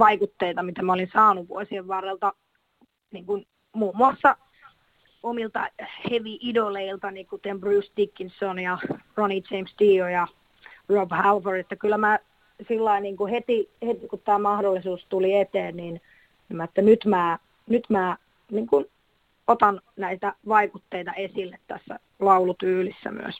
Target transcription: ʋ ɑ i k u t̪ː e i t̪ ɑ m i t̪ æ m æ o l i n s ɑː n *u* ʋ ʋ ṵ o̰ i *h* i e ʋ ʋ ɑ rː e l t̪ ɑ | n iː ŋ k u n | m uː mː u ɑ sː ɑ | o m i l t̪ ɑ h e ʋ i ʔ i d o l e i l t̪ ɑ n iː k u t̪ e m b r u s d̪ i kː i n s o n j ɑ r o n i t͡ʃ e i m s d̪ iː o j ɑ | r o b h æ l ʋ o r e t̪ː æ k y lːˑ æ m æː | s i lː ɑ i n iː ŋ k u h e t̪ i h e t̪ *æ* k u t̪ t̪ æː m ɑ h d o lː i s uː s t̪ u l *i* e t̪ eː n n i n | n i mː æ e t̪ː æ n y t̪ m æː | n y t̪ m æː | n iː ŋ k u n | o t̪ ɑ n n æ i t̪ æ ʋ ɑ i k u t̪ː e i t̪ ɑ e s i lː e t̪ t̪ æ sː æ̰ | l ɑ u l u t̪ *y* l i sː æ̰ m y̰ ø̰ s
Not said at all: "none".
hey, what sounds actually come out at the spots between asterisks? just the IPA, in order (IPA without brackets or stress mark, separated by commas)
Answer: u, s, i, i, yː